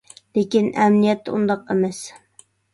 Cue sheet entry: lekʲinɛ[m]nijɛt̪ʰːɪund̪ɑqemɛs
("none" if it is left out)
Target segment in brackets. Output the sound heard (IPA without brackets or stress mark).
m